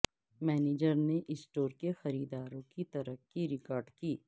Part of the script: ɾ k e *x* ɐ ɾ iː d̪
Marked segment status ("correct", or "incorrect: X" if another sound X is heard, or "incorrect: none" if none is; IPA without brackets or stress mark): correct